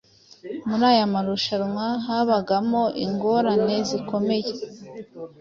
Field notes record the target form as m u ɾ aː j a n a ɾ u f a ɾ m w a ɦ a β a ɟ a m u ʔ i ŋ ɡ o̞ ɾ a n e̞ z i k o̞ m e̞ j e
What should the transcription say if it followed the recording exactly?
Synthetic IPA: m u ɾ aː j a m a ɾ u ʃ a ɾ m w a ɦ a β a ɡ a m o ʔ i ŋ ɡ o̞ ɾ a n e̞ z i k o̞ m e̞ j e